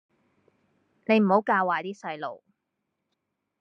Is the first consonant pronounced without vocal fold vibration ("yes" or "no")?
no